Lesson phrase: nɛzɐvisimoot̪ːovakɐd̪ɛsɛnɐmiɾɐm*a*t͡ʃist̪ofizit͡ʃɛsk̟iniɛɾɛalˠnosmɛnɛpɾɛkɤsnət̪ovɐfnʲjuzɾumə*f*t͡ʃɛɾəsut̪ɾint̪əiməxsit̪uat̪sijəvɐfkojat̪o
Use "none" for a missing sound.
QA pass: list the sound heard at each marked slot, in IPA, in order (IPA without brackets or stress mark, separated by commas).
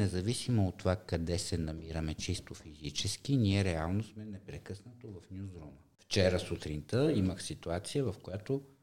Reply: ɛ, f